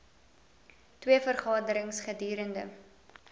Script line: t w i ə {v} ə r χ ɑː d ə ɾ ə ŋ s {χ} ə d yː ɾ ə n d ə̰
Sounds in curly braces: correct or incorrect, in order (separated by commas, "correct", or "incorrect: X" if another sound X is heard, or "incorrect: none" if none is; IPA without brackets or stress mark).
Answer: incorrect: f, correct